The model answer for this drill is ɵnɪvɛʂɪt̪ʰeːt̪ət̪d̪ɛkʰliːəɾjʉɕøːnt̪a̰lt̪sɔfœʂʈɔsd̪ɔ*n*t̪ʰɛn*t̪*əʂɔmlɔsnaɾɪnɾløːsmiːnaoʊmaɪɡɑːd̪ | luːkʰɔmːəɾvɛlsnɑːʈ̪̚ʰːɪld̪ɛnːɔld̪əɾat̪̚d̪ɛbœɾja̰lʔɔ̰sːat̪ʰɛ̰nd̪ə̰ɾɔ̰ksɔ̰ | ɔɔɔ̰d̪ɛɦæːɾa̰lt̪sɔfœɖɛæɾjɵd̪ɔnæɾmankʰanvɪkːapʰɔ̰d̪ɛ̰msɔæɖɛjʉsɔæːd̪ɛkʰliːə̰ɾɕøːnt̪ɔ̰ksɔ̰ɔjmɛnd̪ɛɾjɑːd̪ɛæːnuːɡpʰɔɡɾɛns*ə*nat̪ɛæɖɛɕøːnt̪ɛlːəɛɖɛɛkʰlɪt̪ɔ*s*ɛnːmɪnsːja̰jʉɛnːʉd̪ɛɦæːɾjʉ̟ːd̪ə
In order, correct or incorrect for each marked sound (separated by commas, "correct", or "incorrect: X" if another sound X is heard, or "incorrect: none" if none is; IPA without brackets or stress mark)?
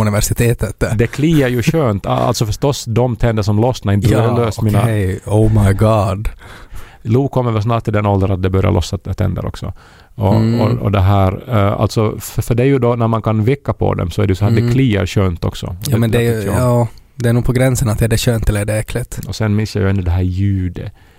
incorrect: m, incorrect: d̪, correct, correct